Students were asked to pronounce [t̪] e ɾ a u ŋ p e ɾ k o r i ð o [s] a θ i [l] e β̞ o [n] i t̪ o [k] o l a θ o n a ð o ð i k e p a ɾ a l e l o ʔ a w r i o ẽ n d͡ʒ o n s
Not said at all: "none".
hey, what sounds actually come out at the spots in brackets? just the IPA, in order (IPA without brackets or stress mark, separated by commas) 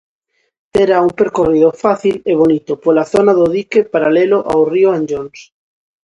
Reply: t̪, f, l, n, p